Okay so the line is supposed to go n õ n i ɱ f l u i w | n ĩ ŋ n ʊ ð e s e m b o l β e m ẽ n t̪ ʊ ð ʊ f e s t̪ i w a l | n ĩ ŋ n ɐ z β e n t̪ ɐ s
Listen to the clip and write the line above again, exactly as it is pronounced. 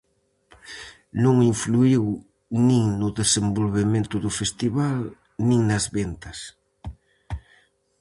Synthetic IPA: n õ ŋ i ɱ f l u i w | n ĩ ŋ n ʊ ð e s e m b o l β e m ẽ n t̪ ʊ ð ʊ f e s t̪ i β a l | n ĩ ŋ n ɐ z β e n t̪ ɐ s